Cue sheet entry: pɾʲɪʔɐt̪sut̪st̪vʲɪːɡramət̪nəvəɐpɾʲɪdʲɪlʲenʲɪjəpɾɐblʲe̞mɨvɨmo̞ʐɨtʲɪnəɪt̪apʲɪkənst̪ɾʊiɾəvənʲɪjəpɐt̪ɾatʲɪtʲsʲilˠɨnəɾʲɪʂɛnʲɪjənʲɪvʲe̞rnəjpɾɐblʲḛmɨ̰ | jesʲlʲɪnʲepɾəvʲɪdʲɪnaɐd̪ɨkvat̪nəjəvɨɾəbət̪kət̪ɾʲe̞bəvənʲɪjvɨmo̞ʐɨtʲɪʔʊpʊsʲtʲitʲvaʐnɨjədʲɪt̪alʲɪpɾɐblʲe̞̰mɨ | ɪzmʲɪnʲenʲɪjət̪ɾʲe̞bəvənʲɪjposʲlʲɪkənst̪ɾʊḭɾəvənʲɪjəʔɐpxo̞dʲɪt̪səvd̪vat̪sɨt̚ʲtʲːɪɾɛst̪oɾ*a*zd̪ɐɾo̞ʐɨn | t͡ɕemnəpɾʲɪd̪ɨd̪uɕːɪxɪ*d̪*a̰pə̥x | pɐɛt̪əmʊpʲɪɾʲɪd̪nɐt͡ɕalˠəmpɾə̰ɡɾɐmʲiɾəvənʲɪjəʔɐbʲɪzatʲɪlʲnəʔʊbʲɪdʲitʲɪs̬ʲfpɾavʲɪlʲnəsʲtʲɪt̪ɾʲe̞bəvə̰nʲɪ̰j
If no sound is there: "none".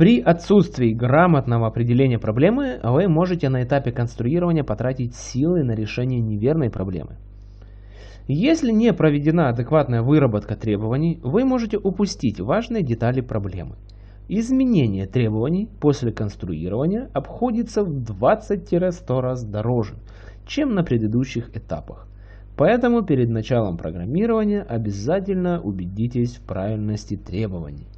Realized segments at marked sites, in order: a, t̪

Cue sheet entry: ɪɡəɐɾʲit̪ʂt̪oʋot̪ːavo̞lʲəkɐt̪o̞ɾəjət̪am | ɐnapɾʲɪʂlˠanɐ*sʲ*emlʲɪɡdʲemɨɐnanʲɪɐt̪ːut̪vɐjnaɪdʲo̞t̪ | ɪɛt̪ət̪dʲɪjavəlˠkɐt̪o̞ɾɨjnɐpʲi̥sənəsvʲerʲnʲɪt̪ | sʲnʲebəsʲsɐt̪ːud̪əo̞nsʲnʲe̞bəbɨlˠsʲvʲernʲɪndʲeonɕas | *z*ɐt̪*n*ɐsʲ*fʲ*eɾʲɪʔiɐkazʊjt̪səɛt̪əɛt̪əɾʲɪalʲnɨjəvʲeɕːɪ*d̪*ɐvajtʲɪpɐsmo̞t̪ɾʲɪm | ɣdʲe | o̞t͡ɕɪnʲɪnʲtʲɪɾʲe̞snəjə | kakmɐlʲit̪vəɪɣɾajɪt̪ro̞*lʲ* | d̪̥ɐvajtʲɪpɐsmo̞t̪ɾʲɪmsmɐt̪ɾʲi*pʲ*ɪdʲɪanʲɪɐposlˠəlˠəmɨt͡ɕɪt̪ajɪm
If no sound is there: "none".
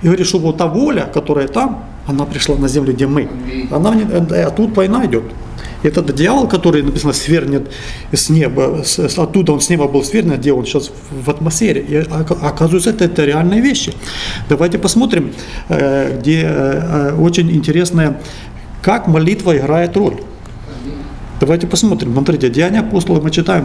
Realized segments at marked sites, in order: zʲ, v, m, fʲ, d̪, lʲ, tʲ

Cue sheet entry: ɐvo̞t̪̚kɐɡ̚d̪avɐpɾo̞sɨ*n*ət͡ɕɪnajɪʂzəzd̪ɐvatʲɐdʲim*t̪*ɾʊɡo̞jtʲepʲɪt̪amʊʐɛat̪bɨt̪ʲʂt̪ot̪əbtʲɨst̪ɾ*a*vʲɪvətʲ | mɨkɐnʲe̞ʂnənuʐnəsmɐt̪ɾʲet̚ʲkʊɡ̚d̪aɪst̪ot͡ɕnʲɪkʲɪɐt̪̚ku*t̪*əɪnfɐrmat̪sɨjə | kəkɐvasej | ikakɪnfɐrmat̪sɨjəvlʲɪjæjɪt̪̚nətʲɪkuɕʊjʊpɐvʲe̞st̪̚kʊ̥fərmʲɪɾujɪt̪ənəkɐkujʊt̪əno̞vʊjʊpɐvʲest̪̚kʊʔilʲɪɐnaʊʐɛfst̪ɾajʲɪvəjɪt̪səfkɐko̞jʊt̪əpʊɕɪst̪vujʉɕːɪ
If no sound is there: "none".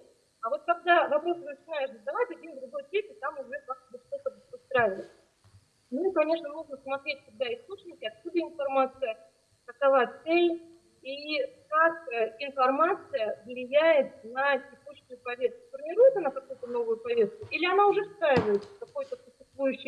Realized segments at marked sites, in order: n, d̪, a, d̪

